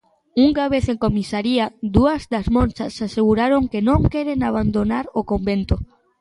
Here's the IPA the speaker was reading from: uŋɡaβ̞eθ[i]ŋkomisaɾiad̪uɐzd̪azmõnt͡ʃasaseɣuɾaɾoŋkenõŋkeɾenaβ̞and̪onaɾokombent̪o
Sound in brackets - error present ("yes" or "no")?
yes